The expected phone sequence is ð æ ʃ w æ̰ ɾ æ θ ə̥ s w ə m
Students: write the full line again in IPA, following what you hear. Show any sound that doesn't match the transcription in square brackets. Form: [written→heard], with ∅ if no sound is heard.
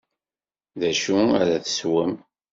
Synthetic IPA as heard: ð æ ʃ [w→u] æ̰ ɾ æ θ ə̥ s w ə m